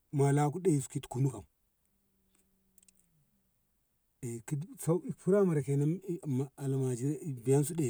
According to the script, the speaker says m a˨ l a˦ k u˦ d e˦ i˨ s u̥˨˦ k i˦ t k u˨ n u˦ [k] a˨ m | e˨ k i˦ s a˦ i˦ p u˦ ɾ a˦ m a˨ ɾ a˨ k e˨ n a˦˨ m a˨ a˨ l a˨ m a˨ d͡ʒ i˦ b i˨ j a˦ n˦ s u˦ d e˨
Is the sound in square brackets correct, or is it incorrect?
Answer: correct